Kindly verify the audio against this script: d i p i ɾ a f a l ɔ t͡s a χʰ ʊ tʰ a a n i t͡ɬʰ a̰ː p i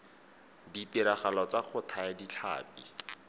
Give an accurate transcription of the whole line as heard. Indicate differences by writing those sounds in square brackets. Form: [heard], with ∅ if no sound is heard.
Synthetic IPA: d i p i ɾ a [χ] a l ɔ t͡s a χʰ ʊ tʰ a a [d] i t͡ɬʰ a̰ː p i